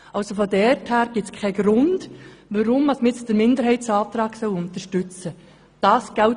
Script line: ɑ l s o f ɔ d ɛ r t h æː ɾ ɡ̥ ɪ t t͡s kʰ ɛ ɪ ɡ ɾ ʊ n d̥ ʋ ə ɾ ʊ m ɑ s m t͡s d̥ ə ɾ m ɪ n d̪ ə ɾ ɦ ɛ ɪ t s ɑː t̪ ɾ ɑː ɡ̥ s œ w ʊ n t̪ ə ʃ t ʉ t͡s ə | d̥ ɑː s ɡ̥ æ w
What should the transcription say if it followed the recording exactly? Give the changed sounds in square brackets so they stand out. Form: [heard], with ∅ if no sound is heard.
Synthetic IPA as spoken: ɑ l s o f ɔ d ɛ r t h æː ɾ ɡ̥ ɪ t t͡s kʰ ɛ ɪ ɡ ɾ ʊ n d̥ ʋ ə ɾ ʊ m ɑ s m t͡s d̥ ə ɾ m ɪ n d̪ ə ɾ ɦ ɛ ɪ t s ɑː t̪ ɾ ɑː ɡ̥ s œ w ʊ n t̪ ə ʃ t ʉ t͡s ə | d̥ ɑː s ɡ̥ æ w